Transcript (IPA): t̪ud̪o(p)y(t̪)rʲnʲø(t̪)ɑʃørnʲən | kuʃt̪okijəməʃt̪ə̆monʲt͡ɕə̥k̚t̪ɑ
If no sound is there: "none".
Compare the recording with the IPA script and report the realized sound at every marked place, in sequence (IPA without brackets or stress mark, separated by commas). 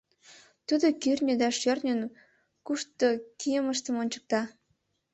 k, none, d̪